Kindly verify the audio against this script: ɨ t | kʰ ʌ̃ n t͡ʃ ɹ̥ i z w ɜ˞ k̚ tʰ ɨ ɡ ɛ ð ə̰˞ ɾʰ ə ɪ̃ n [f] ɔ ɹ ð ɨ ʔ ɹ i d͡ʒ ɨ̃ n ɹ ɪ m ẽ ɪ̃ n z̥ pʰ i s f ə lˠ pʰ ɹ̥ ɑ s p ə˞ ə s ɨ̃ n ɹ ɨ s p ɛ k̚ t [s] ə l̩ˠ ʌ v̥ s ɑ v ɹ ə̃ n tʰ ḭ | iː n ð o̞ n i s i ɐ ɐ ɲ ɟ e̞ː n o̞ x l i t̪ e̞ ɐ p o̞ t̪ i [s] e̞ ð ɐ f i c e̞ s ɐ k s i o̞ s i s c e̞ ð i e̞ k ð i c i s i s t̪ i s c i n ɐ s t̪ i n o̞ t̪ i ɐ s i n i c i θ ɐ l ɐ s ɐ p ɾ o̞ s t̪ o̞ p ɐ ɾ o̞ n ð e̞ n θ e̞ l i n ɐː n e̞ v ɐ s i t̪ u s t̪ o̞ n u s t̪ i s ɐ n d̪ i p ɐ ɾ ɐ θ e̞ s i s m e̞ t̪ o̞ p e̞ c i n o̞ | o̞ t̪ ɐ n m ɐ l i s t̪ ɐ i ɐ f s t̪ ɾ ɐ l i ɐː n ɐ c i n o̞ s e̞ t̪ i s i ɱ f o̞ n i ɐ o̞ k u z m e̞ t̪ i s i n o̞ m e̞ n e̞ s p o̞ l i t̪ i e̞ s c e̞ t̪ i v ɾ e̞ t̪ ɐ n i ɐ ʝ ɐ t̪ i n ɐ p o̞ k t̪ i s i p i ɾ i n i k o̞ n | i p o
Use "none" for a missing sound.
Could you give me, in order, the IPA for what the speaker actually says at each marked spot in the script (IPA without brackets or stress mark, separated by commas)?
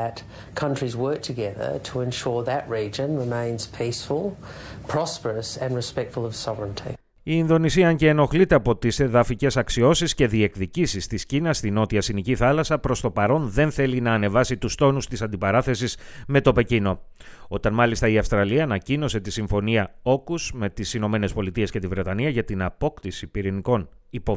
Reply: ʃ, f, s